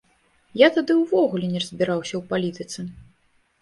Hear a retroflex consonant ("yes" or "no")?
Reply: no